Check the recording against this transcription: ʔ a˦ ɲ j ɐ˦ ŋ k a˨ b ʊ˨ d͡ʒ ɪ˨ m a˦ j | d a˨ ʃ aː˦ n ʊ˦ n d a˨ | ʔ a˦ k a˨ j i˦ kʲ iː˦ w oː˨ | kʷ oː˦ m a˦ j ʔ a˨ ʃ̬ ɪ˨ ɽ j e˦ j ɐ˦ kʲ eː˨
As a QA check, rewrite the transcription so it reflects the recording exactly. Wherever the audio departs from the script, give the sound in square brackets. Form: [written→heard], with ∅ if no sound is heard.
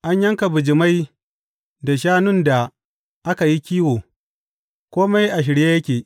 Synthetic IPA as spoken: ʔ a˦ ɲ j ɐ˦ ŋ k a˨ b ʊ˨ d͡ʒ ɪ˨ m a˦ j | d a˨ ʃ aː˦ n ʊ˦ n d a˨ | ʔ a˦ k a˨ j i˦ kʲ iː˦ w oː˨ | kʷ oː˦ m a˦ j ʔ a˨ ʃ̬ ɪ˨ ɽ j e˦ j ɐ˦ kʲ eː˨